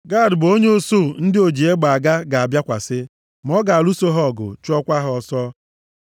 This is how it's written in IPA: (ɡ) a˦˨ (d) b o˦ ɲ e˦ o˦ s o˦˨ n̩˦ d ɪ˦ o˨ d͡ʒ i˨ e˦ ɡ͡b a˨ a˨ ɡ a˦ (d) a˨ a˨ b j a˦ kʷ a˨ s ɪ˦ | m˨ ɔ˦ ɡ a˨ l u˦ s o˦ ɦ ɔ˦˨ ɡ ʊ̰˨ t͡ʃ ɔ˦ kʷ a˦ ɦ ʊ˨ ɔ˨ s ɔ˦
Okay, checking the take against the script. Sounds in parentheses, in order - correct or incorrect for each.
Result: correct, correct, incorrect: ɡ

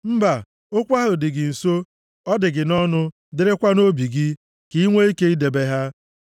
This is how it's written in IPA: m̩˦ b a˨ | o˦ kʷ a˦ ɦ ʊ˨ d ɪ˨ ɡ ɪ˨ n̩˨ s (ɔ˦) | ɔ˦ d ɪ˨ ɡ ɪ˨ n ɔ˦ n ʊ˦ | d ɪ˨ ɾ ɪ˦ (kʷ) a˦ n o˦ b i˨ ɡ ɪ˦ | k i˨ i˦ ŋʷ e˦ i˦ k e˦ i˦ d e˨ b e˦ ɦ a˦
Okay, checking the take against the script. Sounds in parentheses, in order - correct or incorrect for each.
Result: incorrect: o˦, correct

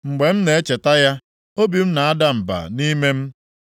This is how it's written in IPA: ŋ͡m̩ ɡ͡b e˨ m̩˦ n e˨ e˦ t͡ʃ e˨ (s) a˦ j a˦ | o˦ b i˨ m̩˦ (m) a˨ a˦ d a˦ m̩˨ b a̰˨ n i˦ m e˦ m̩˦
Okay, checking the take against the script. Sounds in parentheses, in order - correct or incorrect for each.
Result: incorrect: t, incorrect: n

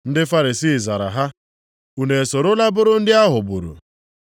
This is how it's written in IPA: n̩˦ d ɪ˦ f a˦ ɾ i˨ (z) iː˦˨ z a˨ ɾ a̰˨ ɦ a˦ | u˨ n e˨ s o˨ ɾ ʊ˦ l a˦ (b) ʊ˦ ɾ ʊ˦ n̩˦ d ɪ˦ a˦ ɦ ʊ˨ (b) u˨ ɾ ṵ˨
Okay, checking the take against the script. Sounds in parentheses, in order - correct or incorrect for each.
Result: incorrect: s, correct, correct

